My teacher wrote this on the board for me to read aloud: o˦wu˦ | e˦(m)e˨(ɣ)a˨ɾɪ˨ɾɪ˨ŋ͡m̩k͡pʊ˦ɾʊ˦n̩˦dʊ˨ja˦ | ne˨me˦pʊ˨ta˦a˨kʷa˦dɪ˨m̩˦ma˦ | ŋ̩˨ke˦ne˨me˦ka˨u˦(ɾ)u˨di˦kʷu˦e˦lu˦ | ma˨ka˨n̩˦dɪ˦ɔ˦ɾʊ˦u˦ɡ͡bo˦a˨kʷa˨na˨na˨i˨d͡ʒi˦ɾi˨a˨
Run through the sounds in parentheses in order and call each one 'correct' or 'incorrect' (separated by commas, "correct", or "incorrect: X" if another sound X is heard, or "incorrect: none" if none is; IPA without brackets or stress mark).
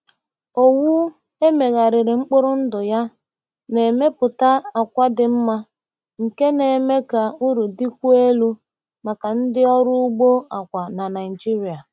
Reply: correct, correct, correct